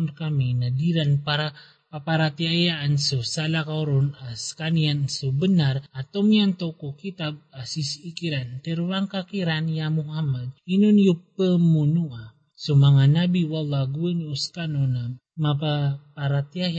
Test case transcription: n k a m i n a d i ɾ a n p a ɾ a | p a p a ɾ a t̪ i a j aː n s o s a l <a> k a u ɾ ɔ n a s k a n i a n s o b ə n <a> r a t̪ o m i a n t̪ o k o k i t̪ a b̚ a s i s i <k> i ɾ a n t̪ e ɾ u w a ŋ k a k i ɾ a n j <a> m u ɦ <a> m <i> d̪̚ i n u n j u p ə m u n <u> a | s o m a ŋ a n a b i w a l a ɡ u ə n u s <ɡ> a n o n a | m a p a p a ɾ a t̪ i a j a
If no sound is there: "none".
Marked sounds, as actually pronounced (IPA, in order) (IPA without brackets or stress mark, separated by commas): a, a, k, a, a, a, u, k